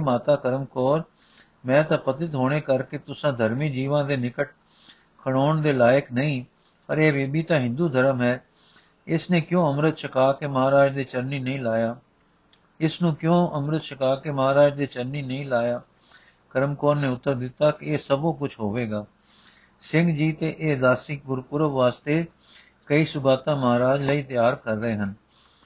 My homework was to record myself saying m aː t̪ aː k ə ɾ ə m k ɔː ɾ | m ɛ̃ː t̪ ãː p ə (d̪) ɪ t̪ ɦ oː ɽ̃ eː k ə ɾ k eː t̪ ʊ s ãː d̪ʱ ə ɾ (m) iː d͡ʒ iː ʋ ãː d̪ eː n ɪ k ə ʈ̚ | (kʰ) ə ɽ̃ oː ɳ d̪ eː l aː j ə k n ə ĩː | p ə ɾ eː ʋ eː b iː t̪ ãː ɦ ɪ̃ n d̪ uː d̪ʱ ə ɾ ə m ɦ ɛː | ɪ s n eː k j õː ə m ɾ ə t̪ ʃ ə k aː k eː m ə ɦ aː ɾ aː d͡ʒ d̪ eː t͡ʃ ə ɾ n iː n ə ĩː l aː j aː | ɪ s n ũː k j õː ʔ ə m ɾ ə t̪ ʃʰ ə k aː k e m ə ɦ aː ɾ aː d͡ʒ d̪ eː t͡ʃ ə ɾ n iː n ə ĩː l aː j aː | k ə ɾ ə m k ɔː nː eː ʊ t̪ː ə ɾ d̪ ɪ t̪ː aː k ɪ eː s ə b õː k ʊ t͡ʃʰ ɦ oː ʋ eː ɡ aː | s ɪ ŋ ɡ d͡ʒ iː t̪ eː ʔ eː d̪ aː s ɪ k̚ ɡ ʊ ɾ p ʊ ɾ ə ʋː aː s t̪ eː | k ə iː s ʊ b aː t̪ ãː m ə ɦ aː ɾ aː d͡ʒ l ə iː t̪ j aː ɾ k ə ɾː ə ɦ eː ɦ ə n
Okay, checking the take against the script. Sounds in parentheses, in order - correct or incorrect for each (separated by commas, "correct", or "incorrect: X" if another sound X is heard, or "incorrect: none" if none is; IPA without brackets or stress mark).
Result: incorrect: t̪, correct, correct